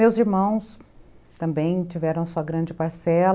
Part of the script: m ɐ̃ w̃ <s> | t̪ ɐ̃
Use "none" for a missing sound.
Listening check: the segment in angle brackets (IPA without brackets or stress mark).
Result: s